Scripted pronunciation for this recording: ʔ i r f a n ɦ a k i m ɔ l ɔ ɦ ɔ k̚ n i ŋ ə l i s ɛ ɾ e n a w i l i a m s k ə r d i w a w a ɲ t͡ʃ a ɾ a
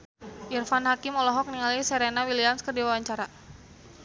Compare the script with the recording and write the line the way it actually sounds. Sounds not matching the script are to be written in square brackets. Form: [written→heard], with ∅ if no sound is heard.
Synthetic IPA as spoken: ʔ i r f a n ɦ a k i m ɔ l ɔ ɦ ɔ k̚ n i ŋ [ə→a] l i s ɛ ɾ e n a w i l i a m s k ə r d i w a w a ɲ t͡ʃ a ɾ a

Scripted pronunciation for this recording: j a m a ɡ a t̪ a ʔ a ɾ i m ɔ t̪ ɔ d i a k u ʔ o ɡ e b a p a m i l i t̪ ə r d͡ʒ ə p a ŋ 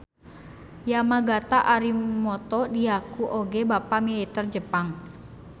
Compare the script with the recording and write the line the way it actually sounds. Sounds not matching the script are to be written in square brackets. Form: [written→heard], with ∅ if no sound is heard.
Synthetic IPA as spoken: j a m a ɡ a t̪ a ʔ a ɾ i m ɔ t̪ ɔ d i a k u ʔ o ɡ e b a p a m i l i t̪ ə r d͡ʒ ə p a ŋ

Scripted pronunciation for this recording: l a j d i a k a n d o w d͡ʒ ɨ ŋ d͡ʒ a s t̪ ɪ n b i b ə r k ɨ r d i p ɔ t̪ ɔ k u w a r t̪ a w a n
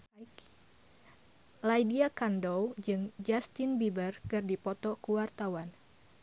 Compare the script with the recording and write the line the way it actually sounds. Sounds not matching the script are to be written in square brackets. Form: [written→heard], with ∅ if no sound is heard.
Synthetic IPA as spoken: l a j d i a k a n d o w d͡ʒ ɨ ŋ d͡ʒ a s t̪ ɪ n b i b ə r k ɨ r d i p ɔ t̪ ɔ k u w a r t̪ a w a n

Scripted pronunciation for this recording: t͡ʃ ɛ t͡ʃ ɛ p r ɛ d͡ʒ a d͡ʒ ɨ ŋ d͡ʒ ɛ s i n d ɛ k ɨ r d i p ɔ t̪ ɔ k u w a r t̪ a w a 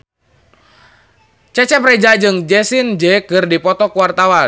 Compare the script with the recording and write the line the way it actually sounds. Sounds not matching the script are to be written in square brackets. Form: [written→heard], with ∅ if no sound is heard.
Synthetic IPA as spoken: t͡ʃ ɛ t͡ʃ ɛ p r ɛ d͡ʒ a d͡ʒ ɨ ŋ d͡ʒ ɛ s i n [d→d͡ʒ] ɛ k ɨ r d i p ɔ t̪ ɔ k u w a r t̪ a w a

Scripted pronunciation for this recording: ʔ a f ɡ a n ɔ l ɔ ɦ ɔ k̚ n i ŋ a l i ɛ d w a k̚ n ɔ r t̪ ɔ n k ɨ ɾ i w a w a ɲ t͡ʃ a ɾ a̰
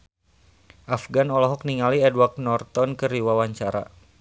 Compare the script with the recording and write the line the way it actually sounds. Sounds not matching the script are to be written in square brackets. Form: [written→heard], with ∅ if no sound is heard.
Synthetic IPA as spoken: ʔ a f ɡ a n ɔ l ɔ ɦ ɔ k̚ n i ŋ a l i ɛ d w a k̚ n ɔ r t̪ ɔ n k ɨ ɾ i w a w a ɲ t͡ʃ a ɾ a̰

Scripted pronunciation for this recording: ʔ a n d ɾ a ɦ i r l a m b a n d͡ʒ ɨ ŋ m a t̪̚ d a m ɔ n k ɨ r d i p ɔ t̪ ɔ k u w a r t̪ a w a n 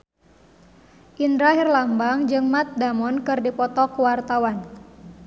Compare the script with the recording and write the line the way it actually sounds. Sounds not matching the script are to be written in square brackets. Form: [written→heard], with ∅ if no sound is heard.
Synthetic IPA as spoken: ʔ [a→i] n d ɾ a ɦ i r l a m b a [n→ŋ] d͡ʒ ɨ ŋ m a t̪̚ d a m ɔ n k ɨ r d i p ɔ t̪ ɔ k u w a r t̪ a w a n

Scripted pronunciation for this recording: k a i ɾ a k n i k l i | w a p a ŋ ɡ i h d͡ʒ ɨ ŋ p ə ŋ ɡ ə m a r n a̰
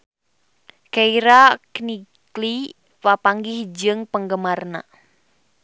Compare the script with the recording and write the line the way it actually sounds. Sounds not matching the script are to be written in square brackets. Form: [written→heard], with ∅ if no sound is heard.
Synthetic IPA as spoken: k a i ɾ a k n i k l i | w a p a ŋ ɡ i h d͡ʒ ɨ ŋ p ə ŋ ɡ ə m a r n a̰

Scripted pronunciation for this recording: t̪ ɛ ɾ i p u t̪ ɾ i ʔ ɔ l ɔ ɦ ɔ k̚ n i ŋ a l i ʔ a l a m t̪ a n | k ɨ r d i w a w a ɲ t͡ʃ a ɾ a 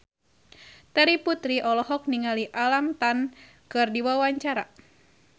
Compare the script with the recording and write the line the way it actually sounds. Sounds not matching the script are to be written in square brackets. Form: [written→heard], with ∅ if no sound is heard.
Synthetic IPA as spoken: t̪ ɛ ɾ i p u t̪ ɾ i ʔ ɔ l ɔ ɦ ɔ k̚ n i ŋ a l i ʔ a l a m t̪ a n | k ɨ r d i w a w a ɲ t͡ʃ a ɾ a

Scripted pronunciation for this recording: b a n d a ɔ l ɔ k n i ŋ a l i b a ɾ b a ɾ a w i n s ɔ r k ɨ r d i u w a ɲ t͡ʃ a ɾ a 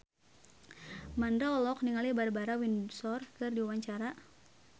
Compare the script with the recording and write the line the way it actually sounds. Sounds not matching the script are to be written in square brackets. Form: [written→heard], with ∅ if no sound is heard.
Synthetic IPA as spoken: [b→m] a n d a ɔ l ɔ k n i ŋ a l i b a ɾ b a ɾ a w i n s ɔ r k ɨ r d i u w a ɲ t͡ʃ a ɾ a

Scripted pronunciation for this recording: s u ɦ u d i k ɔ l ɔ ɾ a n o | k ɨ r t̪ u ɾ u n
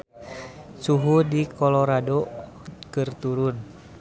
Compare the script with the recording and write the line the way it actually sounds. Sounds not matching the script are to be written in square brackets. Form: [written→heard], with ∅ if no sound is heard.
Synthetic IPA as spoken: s u ɦ u d i k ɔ l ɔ ɾ a [n→d] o | k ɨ r t̪ u ɾ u n

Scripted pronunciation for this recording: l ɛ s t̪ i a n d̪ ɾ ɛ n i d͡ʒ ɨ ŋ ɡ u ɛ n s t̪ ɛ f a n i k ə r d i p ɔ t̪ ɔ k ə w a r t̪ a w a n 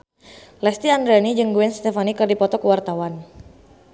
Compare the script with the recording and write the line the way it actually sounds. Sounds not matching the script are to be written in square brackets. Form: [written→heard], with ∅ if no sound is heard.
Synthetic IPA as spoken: l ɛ s t̪ i a n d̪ ɾ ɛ n i d͡ʒ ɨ ŋ ɡ u ɛ n s t̪ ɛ f a n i k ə r d i p ɔ t̪ ɔ k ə w a r t̪ a w a n

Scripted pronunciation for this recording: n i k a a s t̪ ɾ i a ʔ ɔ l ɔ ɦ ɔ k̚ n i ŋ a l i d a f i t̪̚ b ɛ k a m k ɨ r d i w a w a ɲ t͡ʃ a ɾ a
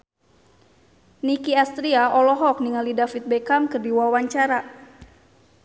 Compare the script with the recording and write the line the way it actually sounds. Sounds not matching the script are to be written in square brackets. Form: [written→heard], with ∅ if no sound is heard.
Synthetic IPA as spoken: n i k [a→i] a s t̪ ɾ i a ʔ ɔ l ɔ ɦ ɔ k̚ n i ŋ a l i d a f i t̪̚ b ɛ k a m k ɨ r d i w a w a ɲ t͡ʃ a ɾ a

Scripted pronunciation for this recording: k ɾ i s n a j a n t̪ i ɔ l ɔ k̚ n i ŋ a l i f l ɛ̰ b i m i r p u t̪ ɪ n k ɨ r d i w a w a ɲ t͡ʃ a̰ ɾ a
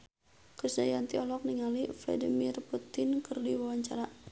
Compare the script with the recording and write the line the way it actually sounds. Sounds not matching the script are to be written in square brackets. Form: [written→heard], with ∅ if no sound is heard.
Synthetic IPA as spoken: k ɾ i s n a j a n t̪ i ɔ l ɔ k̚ n i ŋ a l i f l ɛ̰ [b→d] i m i r p u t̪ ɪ n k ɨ r d i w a w a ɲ t͡ʃ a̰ ɾ a

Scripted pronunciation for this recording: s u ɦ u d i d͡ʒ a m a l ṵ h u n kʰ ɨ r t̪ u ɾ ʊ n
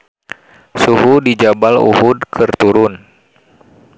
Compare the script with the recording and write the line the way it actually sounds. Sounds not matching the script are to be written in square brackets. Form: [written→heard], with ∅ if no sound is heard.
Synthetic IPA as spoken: s u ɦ u d i d͡ʒ a [m→b] a l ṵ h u [n→d] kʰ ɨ r t̪ u ɾ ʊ n

